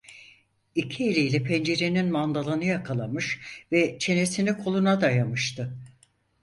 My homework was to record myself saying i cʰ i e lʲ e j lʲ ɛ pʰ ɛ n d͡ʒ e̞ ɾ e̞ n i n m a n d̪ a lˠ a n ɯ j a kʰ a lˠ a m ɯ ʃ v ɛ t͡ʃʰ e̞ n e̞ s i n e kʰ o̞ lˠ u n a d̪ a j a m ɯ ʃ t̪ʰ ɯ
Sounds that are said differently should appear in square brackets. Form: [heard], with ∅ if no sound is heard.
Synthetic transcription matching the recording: i cʰ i e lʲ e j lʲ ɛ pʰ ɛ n d͡ʒ e̞ ɾ e̞ n i n m a n d̪ a lˠ a n ɯ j a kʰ a lˠ a m ɯ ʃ v ɛ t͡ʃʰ e̞ n e̞ s i n [i] kʰ o̞ lˠ u n a d̪ a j a m ɯ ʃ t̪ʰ ɯ